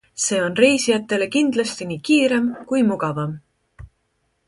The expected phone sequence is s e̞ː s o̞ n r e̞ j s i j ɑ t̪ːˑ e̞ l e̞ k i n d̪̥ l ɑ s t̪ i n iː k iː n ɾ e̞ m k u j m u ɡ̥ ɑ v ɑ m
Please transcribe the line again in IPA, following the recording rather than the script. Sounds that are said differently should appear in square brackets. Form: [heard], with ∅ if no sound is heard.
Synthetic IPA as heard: s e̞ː [∅] o̞ n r e̞ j s i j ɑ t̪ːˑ e̞ l e̞ k i n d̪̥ l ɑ s t̪ i n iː k iː [∅] ɾ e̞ m k u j m u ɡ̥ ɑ v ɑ m